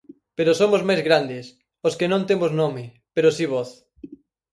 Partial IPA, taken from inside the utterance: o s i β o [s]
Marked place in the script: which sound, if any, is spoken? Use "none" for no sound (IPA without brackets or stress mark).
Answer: θ